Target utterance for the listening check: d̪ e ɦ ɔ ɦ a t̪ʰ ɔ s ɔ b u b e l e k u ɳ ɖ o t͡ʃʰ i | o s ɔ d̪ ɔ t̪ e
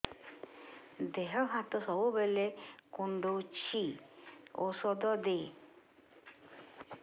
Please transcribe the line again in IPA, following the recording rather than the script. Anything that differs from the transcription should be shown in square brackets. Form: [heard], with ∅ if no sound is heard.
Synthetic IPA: d̪ e ɦ ɔ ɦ a [t̪] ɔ s ɔ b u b e l e k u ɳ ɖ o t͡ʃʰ i | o s ɔ d̪ ɔ [d̪] e

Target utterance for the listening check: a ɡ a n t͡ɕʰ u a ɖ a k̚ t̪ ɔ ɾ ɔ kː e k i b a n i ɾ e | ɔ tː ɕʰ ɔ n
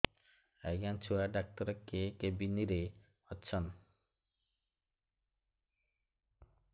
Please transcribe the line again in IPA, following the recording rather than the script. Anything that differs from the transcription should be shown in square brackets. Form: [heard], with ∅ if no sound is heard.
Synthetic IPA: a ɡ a n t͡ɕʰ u a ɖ a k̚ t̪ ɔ ɾ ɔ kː e k [e] b [i] n i ɾ e | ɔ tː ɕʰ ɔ n

